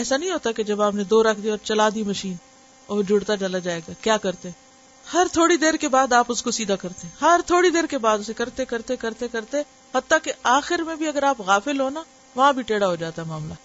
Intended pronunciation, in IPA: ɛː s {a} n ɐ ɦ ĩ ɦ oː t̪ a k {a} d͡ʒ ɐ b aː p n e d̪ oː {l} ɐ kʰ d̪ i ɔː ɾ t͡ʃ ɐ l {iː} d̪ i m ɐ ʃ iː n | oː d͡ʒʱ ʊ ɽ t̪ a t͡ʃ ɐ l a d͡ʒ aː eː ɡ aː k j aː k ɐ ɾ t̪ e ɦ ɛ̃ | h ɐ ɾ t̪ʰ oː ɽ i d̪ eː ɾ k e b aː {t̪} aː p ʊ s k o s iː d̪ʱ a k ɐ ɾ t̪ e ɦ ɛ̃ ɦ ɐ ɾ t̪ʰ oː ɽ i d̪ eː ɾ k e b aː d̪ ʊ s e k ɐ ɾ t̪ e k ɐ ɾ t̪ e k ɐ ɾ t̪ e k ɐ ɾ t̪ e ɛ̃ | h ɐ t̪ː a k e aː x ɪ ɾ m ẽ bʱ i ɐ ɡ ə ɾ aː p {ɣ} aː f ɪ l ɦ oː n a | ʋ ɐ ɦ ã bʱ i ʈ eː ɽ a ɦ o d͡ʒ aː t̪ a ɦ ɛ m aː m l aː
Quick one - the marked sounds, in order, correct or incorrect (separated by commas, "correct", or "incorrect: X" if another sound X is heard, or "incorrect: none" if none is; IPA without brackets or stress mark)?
correct, incorrect: e, incorrect: ɾ, incorrect: aː, incorrect: d̪, correct